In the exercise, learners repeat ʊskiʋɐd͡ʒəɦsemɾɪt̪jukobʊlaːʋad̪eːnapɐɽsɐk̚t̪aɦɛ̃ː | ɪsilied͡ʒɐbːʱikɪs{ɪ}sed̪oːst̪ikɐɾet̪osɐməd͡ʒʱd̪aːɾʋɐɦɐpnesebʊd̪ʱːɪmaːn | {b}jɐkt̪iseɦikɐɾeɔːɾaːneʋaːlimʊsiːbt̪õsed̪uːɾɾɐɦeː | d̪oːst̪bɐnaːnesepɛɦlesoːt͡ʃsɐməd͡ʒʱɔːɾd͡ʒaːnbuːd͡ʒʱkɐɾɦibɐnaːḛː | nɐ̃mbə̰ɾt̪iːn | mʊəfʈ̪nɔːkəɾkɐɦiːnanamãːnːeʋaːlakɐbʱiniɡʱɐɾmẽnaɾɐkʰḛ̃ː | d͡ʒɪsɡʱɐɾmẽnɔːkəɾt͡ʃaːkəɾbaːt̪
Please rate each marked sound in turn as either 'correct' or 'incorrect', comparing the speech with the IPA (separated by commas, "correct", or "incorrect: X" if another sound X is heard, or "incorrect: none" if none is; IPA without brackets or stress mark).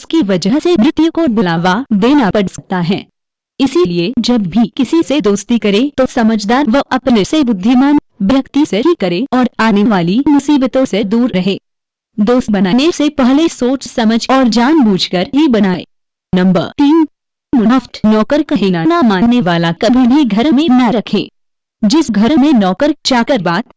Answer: incorrect: i, correct